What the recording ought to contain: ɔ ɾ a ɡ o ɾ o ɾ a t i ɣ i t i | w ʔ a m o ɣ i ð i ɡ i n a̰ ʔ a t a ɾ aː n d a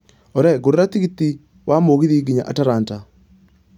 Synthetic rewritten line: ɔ ɾ ɛ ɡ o ɾ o ɾ a t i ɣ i t i | w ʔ a m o ɣ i ð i ɡ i ɲ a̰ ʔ a t a ɾ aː n t a